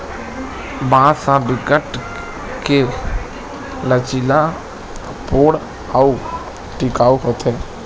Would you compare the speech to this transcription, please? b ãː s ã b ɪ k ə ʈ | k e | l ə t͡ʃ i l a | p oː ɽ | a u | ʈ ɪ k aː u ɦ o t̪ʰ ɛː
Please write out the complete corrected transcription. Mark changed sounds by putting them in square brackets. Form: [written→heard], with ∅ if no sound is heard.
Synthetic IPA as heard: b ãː s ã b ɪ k ə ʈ | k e | l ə t͡ʃ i l a | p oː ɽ | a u | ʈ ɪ k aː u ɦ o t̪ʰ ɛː